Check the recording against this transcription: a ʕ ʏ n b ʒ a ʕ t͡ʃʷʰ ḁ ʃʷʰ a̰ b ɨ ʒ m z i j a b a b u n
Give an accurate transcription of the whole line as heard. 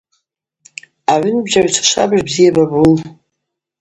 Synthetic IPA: a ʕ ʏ n b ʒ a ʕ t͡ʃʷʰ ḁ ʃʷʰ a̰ b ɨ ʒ b z i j a b a b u n